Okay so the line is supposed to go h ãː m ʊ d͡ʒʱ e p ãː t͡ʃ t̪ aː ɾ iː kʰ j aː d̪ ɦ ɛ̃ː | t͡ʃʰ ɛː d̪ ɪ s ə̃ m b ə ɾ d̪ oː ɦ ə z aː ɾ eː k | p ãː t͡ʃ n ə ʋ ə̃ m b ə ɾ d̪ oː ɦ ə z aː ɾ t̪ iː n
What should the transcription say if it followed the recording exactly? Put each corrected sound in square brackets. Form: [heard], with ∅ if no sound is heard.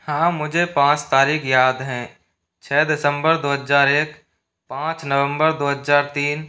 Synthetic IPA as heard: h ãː m ʊ d͡ʒʱ e p ãː t͡ʃ t̪ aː ɾ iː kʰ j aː d̪ ɦ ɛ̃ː | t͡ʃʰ ɛː d̪ ɪ s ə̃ m b ə ɾ d̪ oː ɦ ə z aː ɾ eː k | p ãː t͡ʃ n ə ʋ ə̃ m b ə ɾ d̪ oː ɦ ə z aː ɾ t̪ iː n